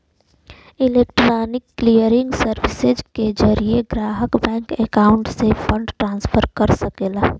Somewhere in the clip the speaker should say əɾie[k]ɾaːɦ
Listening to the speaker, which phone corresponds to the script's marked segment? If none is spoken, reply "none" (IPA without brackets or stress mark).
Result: ɡ